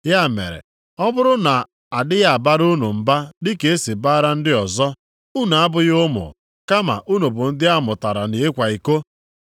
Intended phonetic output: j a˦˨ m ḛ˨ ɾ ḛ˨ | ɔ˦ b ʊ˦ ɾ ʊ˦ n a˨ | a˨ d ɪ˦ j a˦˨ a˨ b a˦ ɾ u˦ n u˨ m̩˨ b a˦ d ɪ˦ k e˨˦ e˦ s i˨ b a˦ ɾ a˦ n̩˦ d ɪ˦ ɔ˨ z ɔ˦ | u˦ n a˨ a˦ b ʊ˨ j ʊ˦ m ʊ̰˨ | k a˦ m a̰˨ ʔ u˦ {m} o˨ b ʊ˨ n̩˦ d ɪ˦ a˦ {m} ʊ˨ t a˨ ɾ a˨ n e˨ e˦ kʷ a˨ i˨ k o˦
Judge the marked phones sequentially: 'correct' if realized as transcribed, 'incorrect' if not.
incorrect, correct

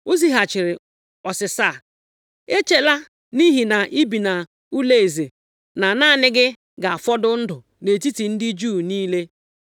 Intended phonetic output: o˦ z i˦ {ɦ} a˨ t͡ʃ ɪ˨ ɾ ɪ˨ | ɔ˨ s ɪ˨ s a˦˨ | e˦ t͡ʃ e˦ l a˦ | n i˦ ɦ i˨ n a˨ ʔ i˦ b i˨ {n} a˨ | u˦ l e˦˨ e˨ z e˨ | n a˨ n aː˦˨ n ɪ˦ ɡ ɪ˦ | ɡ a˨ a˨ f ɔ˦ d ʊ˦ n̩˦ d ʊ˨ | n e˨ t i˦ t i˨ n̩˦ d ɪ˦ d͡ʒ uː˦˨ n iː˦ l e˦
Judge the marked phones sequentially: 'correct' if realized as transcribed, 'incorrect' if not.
correct, correct

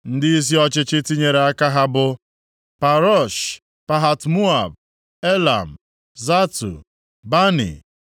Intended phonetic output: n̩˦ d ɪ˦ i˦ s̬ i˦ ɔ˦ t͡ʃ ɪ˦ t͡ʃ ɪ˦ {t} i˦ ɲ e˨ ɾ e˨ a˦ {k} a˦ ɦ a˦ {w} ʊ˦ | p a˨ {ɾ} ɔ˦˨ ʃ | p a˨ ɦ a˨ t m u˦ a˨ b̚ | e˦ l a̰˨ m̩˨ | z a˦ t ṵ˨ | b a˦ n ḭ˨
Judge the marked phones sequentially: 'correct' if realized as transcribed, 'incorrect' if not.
correct, correct, incorrect, correct

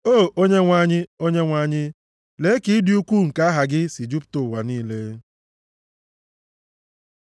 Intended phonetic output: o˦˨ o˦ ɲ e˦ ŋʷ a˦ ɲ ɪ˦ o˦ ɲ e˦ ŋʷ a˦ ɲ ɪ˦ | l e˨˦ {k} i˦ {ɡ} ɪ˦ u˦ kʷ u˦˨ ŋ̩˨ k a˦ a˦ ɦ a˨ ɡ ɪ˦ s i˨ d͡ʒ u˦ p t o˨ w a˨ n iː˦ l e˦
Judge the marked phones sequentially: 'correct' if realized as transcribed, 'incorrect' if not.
correct, incorrect

